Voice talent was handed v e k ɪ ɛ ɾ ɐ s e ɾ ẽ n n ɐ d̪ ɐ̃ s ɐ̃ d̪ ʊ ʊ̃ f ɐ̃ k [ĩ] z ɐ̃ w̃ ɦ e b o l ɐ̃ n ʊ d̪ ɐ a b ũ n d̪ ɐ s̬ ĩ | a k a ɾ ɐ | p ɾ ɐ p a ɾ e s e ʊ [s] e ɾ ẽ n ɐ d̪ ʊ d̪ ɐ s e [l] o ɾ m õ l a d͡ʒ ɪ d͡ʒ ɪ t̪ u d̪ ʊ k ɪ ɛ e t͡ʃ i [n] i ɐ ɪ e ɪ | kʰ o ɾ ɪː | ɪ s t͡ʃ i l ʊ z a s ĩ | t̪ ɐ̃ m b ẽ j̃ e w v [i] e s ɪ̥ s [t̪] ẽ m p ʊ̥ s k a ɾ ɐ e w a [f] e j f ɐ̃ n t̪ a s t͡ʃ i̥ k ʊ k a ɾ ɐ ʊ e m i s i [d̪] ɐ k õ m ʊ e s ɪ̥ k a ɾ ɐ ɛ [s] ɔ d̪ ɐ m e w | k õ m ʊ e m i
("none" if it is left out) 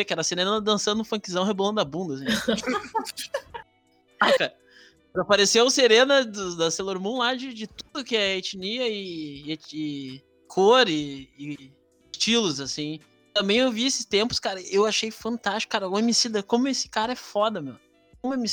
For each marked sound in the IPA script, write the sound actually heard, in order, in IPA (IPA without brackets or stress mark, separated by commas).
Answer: i, s, l, n, i, t̪, ʃ, d̪, f